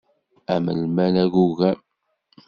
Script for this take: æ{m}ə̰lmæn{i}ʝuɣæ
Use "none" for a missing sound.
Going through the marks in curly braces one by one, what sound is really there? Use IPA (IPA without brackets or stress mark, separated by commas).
m, æ